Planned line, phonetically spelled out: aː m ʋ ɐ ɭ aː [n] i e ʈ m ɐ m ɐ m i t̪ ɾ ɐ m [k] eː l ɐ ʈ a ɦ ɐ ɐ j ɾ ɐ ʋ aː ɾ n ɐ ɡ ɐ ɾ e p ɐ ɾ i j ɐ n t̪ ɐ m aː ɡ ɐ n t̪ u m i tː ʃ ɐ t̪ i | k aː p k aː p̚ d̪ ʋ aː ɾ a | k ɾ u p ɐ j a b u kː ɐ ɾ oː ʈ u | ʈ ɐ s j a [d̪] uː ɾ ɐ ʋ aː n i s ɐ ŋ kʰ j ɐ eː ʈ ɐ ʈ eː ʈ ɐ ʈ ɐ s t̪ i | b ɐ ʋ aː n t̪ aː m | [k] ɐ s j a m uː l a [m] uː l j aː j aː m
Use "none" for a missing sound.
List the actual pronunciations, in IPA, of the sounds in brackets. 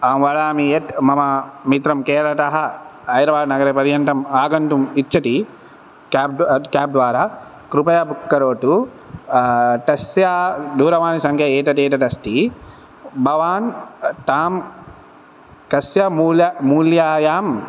m, k, d̪, k, m

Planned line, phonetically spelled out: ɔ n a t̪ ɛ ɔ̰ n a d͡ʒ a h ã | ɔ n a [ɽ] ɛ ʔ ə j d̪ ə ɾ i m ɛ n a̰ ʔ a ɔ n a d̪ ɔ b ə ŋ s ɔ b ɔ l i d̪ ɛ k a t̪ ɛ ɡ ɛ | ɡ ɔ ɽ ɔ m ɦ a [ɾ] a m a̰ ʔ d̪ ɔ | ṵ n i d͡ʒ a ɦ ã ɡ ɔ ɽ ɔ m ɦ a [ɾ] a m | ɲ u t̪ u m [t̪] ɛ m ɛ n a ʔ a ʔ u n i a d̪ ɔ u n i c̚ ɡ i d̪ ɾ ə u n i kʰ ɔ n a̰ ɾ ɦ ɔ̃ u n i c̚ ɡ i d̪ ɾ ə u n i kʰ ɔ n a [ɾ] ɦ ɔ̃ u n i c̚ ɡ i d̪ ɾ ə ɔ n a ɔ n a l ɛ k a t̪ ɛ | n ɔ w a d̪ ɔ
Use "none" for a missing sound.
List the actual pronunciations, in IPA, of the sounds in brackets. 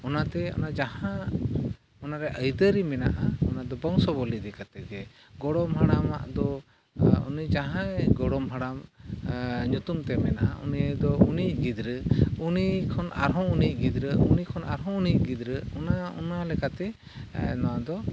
ɾ, ɽ, ɽ, t̪, ɾ

